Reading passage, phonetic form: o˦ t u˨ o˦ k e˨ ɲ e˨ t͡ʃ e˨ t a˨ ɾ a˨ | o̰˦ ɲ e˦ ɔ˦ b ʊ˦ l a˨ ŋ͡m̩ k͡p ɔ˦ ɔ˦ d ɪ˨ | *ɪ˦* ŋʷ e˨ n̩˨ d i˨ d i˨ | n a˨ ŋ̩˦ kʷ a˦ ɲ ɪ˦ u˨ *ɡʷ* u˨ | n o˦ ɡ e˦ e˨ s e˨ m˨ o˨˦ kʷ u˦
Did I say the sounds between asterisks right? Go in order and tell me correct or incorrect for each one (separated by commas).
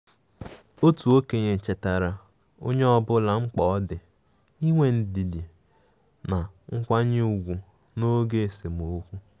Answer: incorrect, correct